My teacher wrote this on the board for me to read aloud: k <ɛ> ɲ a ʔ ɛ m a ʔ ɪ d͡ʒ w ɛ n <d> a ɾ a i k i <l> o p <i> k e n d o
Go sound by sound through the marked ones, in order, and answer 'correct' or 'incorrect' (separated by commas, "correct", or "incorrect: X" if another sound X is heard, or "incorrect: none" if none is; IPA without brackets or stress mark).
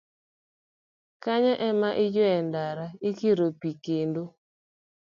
incorrect: a, correct, incorrect: ɾ, correct